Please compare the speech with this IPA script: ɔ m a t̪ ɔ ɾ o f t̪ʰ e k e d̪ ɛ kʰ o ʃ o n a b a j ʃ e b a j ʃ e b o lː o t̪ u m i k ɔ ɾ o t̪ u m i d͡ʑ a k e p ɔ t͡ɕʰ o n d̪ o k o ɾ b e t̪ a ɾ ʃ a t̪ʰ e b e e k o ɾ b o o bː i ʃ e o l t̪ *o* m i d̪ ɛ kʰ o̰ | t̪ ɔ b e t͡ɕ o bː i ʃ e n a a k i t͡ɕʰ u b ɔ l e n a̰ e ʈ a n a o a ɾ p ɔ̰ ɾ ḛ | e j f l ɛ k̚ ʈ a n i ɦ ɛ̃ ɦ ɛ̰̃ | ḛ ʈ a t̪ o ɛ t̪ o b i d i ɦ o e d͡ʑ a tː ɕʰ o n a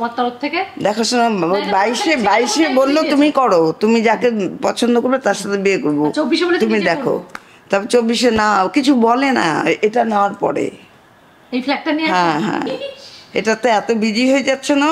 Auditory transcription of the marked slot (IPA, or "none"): u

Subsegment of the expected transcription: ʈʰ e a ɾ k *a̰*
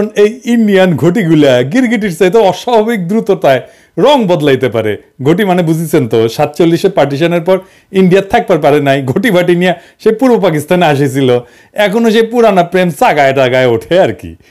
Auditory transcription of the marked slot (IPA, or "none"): ḭ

